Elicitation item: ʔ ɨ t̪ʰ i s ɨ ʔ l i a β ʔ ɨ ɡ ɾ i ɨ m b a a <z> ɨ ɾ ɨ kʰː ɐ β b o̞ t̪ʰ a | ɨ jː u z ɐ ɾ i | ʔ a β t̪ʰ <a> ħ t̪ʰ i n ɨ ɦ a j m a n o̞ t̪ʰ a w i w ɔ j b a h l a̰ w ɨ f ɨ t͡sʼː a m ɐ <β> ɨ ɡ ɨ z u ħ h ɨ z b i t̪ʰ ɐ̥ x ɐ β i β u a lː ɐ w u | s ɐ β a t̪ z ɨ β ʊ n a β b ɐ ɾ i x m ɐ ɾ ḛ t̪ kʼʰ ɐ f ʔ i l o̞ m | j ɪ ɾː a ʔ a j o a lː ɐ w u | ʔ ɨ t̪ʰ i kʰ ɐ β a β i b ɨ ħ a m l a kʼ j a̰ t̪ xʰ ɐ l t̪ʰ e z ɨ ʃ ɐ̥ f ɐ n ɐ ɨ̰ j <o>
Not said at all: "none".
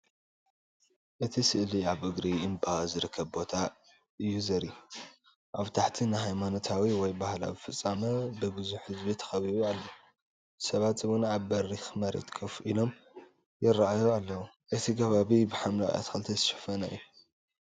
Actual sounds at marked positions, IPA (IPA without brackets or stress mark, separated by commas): z, a, b, u